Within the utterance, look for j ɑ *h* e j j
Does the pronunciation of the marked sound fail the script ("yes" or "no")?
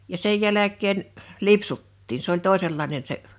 yes